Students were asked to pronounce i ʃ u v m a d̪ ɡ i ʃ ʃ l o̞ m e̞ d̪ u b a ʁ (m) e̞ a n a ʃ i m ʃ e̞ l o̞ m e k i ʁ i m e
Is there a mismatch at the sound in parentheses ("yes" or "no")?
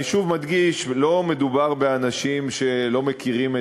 yes